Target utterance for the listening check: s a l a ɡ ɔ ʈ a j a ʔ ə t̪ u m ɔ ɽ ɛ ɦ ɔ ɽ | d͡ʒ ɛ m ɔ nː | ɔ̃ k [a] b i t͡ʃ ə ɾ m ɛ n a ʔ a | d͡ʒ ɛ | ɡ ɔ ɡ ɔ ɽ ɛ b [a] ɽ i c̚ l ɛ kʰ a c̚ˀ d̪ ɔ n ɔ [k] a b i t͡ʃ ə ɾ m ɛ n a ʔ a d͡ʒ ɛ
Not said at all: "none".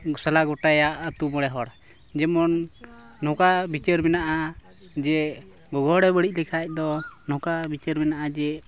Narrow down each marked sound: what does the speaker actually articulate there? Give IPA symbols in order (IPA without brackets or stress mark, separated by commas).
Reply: a, ə, k